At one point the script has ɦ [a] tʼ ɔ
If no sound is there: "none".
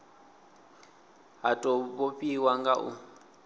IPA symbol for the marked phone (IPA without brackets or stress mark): a